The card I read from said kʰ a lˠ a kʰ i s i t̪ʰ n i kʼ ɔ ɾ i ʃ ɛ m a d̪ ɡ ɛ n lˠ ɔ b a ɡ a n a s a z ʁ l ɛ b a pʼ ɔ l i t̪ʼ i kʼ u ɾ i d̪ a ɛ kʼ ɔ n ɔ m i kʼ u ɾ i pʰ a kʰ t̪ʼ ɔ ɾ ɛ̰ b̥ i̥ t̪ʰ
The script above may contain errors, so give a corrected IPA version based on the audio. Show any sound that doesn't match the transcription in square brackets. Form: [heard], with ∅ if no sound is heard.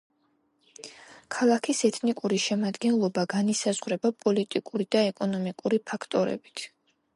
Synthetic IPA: kʰ a lˠ a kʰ i s [ɛ] t̪ʰ n i kʼ [u] ɾ i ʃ ɛ m a d̪ ɡ ɛ n lˠ ɔ b a ɡ a n [i] s a z ʁ [ɾ] ɛ b a pʼ ɔ l i t̪ʼ i kʼ u ɾ i d̪ a ɛ kʼ ɔ n ɔ m i kʼ u ɾ i pʰ a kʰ t̪ʼ ɔ ɾ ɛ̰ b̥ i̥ t̪ʰ